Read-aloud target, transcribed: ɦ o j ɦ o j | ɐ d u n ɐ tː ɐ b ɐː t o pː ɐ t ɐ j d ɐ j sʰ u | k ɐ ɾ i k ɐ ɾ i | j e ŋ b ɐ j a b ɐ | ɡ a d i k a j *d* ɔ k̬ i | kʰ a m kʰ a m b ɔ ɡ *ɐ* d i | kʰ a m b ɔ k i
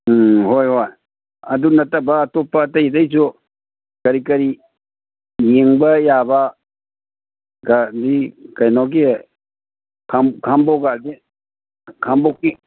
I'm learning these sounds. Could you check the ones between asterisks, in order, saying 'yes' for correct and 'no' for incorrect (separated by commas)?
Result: no, no